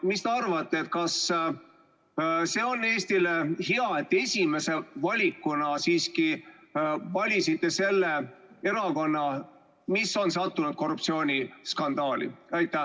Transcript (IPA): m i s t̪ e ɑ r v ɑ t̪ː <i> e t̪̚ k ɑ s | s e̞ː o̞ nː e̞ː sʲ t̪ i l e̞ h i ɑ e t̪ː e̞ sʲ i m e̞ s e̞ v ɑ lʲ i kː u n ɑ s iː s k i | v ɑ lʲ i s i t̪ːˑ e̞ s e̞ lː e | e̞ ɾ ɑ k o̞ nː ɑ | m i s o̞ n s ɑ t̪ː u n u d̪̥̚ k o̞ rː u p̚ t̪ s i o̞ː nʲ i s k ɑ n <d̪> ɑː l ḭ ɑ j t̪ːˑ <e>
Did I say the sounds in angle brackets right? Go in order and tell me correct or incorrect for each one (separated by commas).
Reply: incorrect, correct, incorrect